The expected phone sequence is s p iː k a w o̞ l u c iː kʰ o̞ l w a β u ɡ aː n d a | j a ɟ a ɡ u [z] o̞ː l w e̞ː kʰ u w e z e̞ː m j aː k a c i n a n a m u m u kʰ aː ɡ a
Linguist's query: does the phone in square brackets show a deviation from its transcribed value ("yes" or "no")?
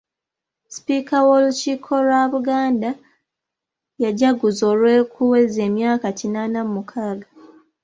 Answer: no